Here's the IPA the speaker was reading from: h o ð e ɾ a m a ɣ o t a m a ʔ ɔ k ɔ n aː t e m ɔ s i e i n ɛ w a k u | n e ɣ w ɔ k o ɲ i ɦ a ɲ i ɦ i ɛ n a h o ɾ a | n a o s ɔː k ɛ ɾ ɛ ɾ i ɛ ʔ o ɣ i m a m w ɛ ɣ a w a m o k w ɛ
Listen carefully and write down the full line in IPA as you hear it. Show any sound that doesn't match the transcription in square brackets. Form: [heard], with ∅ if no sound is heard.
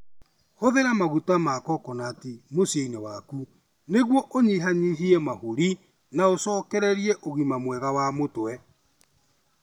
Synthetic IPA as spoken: h o ð e ɾ a m a ɣ [u] t a m a [k] ɔ k ɔ n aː t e m [o] s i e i n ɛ w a k u | n e ɣ w ɔ [ʔ] o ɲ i ɦ a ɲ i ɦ i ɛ [m] a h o ɾ [i] | n a o s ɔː k ɛ ɾ ɛ ɾ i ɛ ʔ o ɣ i m a m w ɛ ɣ a w a m o [t] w ɛ